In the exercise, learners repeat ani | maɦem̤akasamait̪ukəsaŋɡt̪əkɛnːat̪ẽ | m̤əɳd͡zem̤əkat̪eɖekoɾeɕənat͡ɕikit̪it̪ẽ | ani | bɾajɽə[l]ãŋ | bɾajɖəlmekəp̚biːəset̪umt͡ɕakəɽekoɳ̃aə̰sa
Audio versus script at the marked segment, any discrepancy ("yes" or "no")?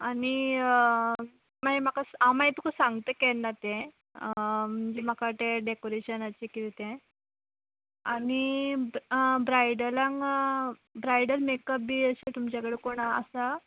no